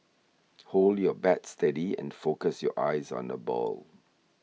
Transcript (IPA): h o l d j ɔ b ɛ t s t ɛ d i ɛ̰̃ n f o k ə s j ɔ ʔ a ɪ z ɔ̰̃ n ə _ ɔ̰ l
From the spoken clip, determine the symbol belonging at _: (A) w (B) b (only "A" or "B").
B